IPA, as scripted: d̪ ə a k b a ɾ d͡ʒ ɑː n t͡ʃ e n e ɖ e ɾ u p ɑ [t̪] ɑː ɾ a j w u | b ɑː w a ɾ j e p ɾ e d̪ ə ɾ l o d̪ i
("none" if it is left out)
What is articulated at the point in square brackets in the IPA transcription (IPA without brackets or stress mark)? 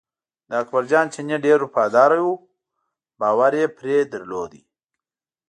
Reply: d̪